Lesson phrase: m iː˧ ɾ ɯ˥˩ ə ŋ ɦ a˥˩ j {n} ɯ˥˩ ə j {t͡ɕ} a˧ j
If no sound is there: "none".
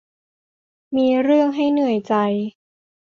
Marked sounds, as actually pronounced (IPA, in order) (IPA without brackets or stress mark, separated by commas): n, t͡ɕ